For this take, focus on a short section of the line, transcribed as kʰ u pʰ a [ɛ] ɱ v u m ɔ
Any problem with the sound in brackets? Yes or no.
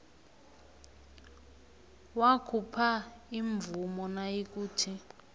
yes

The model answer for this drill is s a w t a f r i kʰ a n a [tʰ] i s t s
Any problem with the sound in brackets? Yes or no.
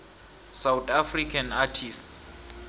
no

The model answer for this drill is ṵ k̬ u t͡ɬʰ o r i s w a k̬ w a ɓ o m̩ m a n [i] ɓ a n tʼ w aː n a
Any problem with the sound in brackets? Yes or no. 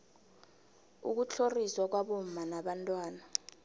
yes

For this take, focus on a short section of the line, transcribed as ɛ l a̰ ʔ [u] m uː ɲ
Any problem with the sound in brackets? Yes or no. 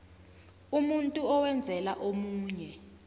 yes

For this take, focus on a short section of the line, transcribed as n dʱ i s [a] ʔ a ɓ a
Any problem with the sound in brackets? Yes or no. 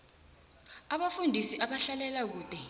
yes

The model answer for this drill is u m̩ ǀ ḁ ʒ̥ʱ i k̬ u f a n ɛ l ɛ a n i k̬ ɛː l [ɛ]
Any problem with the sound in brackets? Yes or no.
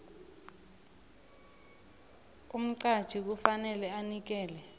no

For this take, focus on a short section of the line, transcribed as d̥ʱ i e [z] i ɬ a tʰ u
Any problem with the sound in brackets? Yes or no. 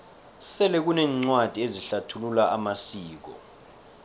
no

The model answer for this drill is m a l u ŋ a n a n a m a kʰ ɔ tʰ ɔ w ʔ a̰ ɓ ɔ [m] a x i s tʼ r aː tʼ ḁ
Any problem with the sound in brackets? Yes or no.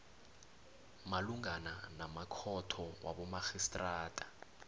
no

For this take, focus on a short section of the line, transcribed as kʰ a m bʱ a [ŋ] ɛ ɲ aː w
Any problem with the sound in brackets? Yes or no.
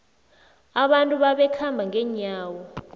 no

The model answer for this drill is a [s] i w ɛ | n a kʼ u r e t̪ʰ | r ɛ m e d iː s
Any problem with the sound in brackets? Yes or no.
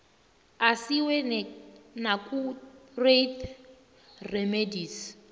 no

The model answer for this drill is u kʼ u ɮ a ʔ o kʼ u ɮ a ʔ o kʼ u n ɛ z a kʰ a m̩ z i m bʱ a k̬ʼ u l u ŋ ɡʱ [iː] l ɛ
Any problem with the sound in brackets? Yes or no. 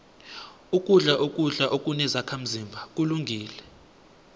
no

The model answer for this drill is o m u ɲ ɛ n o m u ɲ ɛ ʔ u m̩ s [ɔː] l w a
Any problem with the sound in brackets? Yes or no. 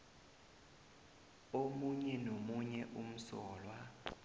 no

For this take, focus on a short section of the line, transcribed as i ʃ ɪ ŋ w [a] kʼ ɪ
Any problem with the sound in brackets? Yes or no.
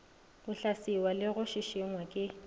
no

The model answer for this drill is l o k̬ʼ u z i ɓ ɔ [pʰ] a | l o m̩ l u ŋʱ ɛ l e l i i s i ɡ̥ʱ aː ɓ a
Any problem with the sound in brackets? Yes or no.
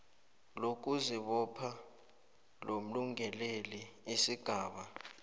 no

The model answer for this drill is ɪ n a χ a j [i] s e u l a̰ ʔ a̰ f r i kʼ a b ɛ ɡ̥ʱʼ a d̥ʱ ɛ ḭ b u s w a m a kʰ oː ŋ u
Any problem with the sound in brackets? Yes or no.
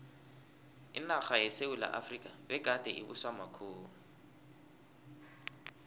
yes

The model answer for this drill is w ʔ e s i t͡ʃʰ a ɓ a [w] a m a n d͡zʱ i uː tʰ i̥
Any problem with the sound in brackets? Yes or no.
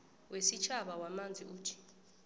no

